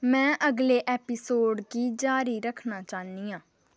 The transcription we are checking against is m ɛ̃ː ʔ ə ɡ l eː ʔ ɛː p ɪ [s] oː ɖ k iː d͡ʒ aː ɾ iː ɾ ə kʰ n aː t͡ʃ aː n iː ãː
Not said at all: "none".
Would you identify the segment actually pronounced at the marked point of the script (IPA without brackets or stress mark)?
s